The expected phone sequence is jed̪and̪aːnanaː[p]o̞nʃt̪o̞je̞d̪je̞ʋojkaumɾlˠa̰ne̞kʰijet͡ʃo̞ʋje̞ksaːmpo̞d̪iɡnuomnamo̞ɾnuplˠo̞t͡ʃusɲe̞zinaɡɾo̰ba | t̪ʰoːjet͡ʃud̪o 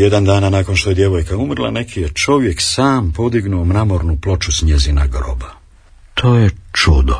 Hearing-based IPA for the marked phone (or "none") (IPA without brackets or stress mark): k